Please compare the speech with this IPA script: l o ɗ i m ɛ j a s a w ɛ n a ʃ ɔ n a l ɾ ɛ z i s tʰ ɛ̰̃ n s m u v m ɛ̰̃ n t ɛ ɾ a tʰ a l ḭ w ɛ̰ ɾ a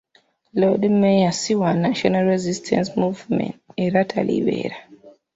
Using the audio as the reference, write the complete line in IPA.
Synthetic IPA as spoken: l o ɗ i m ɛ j a s i w a n a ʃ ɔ n a l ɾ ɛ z i s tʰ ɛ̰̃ n s m u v m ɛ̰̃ n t ɛ ɾ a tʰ a l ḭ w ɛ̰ ɾ a